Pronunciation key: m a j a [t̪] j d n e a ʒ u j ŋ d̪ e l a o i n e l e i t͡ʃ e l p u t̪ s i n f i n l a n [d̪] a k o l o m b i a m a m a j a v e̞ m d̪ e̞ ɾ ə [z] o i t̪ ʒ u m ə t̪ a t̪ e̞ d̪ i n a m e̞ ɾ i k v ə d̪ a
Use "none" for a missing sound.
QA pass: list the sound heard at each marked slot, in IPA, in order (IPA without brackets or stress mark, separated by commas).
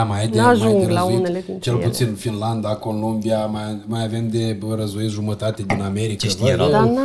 none, d̪, z